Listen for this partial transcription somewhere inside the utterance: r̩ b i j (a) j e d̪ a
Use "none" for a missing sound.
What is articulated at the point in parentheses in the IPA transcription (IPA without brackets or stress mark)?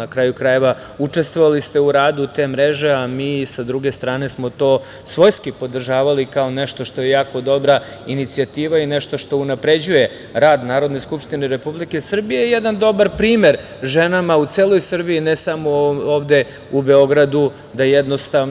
e